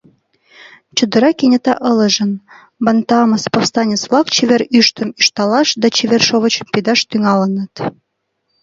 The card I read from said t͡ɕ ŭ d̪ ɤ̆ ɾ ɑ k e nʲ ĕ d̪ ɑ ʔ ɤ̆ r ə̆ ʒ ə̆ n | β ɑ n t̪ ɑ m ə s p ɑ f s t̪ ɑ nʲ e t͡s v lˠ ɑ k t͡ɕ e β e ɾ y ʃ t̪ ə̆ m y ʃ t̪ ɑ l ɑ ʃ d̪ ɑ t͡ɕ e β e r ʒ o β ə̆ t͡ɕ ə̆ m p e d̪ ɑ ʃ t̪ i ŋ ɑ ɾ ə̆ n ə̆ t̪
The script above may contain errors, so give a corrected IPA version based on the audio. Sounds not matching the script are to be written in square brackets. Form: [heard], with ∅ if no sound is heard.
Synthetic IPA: t͡ɕ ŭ d̪ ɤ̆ ɾ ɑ k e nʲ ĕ [t̪] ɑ ʔ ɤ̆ [l] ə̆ ʒ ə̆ n | [b] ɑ n t̪ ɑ m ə s p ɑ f s t̪ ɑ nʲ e t͡s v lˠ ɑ k t͡ɕ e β e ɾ y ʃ t̪ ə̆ m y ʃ t̪ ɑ l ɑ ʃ d̪ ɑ t͡ɕ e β e r [ʃ] o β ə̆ t͡ɕ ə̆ m p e d̪ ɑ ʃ t̪ [y] ŋ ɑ [l] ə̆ n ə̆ t̪